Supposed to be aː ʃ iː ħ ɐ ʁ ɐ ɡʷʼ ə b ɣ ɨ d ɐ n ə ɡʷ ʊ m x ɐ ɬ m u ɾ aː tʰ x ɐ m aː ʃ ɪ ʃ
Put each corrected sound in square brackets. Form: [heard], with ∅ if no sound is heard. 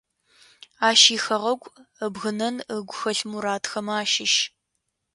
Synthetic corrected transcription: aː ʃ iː [x] ɐ ʁ ɐ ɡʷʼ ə b ɣ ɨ [n] ɐ n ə ɡʷ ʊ [∅] x ɐ ɬ m u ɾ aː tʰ x ɐ m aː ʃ ɪ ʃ